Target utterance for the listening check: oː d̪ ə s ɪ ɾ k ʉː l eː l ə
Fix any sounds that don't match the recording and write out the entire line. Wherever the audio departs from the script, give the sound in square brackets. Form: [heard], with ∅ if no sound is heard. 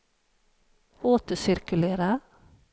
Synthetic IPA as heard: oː [t̪] ə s ɪ ɾ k [ʉ] l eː [ɾ] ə